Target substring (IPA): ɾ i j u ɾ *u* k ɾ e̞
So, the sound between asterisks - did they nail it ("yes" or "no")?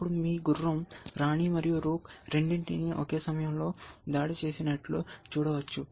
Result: no